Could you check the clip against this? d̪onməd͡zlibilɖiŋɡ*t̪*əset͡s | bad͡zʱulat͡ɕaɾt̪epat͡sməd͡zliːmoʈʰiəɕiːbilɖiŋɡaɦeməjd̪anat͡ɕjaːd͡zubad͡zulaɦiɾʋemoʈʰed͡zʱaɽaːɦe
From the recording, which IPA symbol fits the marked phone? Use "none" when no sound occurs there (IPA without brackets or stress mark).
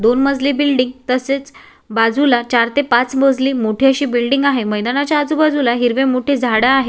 t̪